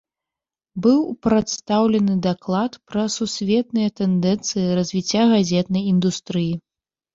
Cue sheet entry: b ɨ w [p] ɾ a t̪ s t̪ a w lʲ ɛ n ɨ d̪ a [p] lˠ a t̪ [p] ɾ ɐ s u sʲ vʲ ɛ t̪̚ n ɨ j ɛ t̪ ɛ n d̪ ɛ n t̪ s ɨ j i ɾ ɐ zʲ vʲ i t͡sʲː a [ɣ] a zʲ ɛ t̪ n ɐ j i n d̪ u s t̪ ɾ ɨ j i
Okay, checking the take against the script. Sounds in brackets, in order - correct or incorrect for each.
correct, incorrect, correct, correct

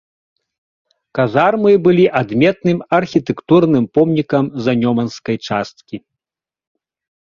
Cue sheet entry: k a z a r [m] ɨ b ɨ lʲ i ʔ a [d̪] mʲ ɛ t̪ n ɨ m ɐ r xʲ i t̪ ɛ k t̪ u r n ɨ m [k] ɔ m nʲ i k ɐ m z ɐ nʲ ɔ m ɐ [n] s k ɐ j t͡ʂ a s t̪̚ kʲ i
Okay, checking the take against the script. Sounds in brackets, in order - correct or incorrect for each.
correct, correct, incorrect, correct

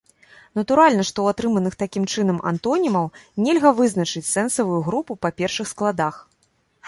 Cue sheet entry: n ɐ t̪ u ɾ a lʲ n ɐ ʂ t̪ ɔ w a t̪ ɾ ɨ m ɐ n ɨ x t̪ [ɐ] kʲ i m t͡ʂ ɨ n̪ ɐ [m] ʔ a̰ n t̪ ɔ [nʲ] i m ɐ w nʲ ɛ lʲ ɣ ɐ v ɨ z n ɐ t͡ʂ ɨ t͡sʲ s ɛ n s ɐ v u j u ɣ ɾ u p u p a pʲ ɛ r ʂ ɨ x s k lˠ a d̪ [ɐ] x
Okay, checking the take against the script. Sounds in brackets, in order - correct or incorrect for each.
incorrect, correct, correct, incorrect

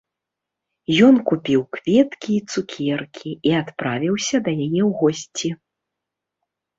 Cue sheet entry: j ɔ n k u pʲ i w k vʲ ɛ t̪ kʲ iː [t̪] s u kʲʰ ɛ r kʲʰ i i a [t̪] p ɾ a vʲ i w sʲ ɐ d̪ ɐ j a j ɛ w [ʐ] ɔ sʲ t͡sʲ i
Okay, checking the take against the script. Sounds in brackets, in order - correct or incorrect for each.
correct, correct, incorrect

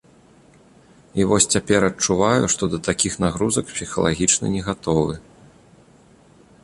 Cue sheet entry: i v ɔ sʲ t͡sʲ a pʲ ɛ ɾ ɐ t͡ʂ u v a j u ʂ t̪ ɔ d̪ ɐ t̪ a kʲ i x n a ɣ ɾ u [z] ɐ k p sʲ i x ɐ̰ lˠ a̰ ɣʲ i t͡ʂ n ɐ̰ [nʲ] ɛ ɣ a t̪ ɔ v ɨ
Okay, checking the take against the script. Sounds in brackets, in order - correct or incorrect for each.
correct, correct

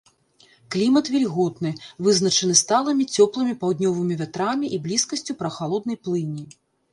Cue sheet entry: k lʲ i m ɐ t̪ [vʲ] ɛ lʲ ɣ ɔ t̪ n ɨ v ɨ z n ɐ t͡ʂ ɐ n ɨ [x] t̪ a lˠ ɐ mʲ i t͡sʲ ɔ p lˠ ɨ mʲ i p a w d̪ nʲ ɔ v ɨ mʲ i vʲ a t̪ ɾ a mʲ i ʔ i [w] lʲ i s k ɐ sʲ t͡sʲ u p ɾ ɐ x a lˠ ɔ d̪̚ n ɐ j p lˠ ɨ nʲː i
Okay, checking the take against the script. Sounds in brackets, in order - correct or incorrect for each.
correct, incorrect, incorrect

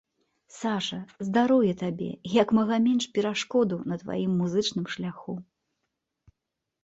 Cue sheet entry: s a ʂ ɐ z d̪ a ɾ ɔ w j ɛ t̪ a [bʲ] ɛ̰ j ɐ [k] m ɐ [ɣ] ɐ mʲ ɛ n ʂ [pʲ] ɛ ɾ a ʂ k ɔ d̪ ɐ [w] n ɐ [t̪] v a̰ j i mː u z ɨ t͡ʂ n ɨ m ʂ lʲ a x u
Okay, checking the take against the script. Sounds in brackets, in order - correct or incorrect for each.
correct, correct, correct, correct, correct, correct

